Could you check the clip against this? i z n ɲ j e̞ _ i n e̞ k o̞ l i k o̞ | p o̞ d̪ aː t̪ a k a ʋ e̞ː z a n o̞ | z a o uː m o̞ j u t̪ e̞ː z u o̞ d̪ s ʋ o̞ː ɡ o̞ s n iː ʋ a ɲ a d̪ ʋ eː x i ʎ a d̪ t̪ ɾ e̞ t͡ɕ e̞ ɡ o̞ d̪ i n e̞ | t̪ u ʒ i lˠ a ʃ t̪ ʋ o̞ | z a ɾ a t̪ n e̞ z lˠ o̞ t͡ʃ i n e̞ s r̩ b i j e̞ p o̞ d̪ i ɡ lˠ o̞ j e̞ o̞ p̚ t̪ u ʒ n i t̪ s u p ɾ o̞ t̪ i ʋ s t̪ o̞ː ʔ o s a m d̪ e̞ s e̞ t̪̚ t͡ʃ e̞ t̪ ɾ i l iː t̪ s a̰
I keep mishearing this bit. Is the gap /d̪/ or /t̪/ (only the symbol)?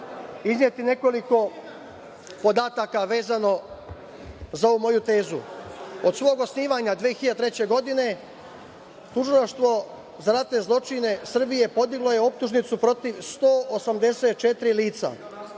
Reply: t̪